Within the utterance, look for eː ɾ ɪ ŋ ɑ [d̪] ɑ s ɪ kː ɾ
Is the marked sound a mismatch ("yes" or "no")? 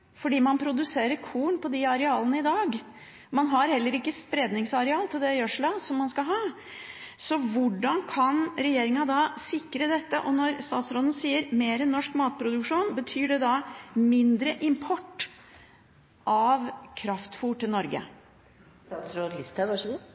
no